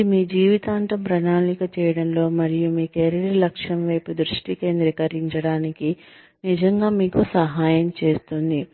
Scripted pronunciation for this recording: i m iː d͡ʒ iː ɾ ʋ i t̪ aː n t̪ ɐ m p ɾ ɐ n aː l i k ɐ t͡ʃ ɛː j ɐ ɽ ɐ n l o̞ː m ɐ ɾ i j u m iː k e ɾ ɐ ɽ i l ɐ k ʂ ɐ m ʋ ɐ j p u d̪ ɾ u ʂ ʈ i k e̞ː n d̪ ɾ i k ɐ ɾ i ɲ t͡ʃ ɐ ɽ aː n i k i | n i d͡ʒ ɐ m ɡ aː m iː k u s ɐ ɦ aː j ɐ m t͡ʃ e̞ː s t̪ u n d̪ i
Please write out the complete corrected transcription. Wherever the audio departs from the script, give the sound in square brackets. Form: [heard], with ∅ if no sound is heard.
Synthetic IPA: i m iː d͡ʒ iː [∅] ʋ i t̪ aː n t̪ ɐ m p ɾ ɐ n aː l i k ɐ t͡ʃ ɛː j ɐ ɽ ɐ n l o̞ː m ɐ ɾ i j u m iː k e ɾ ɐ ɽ i l ɐ k ʂ ɐ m ʋ ɐ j p u d̪ ɾ u ʂ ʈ i k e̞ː n d̪ ɾ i k ɐ ɾ i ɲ t͡ʃ ɐ ɽ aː n i k i | n i d͡ʒ ɐ [ŋ] ɡ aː m iː k u s ɐ ɦ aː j ɐ m t͡ʃ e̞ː s t̪ u n d̪ i

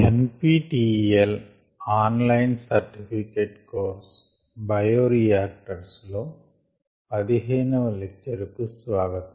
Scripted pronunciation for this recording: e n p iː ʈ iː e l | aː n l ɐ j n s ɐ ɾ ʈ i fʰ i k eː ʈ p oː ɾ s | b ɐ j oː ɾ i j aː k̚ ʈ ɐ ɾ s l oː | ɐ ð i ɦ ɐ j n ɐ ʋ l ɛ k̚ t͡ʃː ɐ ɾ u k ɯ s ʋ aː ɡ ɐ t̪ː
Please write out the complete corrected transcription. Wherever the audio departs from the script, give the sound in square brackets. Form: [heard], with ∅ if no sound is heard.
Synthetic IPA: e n p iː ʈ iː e l | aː n l ɐ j n s ɐ ɾ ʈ i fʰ i k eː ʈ [k] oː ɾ s | b ɐ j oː ɾ i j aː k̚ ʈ ɐ ɾ s l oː | ɐ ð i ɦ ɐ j n ɐ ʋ l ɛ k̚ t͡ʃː ɐ ɾ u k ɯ s ʋ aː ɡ ɐ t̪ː

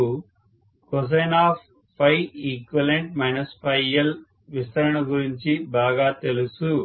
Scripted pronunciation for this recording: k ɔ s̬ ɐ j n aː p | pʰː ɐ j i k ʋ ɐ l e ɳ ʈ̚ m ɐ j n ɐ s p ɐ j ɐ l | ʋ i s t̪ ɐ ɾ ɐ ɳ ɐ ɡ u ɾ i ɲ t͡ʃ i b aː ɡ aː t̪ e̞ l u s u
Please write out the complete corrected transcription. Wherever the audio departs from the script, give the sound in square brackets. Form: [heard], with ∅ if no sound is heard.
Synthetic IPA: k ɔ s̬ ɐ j n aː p | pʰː ɐ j i k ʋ ɐ l e ɳ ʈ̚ m ɐ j n ɐ s p ɐ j ɐ l | ʋ i s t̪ ɐ ɾ ɐ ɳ ɐ ɡ u ɾ i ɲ t͡ʃ i b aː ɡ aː t̪ e̞ l u s u

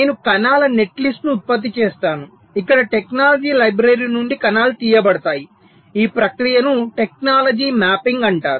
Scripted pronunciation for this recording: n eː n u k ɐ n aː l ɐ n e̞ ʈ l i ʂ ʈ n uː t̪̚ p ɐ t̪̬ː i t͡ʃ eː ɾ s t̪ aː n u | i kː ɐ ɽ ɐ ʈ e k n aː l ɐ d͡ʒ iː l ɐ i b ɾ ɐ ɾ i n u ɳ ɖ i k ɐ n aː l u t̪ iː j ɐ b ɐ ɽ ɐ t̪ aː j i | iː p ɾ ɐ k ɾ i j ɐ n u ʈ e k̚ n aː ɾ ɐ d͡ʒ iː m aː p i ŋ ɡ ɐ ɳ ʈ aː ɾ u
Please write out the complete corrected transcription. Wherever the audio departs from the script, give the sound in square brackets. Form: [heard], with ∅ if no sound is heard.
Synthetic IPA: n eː n u k ɐ n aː l ɐ n e̞ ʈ l i [s] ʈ n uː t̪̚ p ɐ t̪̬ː i t͡ʃ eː [∅] s t̪ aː n u | i kː ɐ ɽ ɐ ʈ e k n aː l ɐ d͡ʒ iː l ɐ [j] b ɾ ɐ ɾ i n u ɳ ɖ i k ɐ n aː l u t̪ iː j ɐ b ɐ ɽ ɐ t̪ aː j i | iː p ɾ ɐ k ɾ i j ɐ n u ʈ e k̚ n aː [l] ɐ d͡ʒ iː m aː p i ŋ ɡ ɐ ɳ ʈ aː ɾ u

